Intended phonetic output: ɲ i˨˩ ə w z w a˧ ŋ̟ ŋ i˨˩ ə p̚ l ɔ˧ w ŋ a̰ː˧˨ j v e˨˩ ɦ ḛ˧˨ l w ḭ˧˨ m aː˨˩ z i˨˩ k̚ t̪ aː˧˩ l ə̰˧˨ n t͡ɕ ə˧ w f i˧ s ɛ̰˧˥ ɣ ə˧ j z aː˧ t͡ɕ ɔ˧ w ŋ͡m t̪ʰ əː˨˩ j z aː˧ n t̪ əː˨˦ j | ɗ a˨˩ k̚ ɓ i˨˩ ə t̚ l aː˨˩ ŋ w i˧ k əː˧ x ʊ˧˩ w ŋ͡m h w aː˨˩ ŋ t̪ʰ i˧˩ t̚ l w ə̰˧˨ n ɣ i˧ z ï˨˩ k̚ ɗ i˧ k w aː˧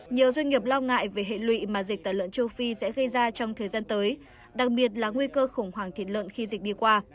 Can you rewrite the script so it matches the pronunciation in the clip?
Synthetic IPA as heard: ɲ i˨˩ ə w z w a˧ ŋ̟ ŋ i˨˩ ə p̚ l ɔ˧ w ŋ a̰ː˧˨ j v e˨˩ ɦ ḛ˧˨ l w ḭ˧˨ m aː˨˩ z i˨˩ k̚ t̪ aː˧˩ l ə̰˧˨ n t͡ɕ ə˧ w f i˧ s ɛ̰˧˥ ɣ ə˧ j z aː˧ t͡ɕ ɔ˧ w ŋ͡m t̪ʰ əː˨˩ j z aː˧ n t̪ əː˨˦ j | ɗ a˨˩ k̚ ɓ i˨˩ ə t̚ l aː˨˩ ŋ w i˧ k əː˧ x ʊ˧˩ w ŋ͡m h w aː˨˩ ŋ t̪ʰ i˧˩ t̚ l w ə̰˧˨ n x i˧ z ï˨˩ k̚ ɗ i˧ k w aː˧